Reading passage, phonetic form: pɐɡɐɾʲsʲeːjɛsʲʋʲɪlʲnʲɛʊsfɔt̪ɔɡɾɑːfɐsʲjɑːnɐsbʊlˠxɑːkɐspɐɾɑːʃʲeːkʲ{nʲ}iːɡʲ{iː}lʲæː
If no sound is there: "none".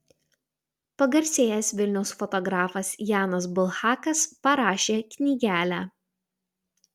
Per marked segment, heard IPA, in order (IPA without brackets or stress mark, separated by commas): nʲ, æː